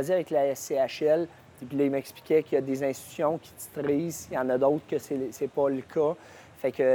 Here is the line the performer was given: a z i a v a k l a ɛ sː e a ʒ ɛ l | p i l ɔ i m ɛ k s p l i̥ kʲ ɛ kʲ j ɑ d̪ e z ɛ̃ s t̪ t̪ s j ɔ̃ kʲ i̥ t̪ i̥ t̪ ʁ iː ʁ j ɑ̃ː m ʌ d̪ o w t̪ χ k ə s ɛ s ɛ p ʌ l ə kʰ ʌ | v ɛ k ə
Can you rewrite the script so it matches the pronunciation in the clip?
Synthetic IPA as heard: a z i a v ɛ k l a ɛ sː e a ʃ ɛ l | p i l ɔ i m ɛ k s p l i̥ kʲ ɛ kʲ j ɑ d̪ e z ɛ̃ s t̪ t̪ s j ɔ̃ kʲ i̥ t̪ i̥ t̪ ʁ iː z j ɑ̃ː n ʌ d̪ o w t̪ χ k ə s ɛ s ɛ p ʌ l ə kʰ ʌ | f ɛ k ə